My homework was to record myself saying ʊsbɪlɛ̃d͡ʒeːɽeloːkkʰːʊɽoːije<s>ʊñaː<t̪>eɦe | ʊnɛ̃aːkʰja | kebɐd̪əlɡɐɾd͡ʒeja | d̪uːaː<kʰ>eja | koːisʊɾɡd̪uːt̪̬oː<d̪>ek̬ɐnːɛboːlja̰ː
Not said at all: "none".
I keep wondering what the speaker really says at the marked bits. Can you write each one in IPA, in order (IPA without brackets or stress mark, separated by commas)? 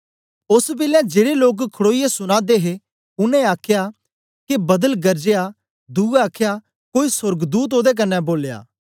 s, d̪, kʰ, d̪